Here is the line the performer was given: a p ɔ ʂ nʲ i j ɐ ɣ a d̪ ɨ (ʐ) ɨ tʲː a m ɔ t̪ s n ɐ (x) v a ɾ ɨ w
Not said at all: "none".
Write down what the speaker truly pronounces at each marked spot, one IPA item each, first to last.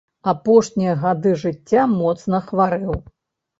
ʐ, x

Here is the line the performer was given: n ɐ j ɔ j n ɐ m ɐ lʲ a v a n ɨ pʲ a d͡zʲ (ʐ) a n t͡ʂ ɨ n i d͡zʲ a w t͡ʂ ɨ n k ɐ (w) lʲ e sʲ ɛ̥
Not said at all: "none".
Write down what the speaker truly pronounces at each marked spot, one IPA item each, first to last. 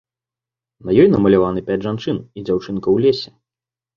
ʐ, w

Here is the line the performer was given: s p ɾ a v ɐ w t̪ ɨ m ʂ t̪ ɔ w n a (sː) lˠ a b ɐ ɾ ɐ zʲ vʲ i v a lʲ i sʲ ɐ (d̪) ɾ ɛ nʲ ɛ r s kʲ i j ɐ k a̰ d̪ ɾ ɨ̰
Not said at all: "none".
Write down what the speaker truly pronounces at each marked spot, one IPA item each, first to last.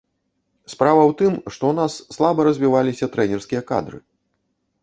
sː, t̪

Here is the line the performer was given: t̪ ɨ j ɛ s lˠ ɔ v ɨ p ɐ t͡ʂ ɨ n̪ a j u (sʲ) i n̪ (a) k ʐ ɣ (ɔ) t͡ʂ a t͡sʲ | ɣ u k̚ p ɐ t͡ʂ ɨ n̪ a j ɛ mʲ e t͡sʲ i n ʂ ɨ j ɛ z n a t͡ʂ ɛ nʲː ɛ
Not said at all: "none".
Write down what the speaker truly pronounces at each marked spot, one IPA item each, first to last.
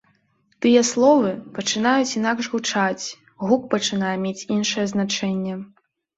t͡sʲ, a, u

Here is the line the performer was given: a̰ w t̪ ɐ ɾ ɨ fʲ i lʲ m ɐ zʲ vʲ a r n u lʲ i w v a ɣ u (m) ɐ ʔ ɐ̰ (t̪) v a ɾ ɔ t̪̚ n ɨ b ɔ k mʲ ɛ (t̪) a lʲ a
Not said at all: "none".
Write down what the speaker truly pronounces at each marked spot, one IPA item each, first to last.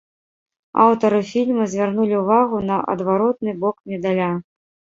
n, d̪, d̪

